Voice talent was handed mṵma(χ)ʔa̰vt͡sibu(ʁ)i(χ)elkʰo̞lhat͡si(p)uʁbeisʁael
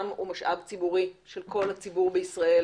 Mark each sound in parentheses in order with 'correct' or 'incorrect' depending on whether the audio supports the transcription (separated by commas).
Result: incorrect, correct, incorrect, incorrect